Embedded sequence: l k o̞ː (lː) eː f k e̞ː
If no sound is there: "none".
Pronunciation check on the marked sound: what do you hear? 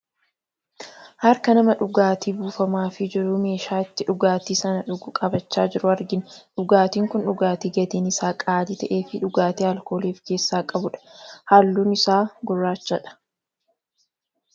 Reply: l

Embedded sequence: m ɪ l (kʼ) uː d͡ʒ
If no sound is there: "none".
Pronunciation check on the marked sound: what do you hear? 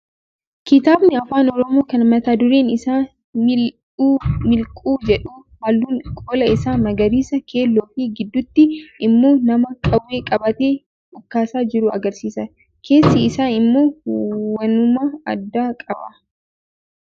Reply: kʼ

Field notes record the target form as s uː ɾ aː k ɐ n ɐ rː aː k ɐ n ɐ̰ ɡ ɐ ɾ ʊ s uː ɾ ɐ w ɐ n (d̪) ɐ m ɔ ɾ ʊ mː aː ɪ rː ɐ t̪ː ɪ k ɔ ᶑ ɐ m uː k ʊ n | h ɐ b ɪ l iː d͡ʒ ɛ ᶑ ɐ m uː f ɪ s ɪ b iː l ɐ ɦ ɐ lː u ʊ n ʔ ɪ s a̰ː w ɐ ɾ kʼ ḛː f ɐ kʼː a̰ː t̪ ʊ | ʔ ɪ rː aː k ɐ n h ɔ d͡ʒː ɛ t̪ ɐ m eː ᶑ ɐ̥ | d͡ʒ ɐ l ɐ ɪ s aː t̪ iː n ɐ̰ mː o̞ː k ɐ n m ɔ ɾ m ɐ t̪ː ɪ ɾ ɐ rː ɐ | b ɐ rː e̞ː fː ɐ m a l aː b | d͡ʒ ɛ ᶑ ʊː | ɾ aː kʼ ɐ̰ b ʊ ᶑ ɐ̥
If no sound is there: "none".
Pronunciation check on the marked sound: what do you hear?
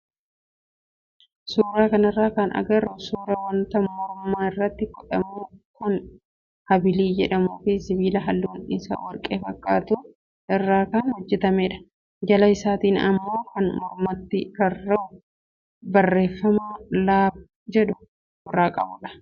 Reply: t̪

